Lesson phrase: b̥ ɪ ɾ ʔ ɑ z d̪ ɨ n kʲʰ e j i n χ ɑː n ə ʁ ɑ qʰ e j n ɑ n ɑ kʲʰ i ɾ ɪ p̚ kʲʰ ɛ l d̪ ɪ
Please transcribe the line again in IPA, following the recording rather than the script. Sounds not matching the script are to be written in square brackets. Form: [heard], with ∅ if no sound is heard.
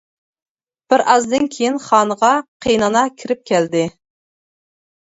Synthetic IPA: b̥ ɪ ɾ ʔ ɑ z d̪ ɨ n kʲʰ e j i n χ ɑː n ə ʁ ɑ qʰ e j n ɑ n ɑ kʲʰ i ɾ ɪ p̚ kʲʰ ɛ l d̪ ɪ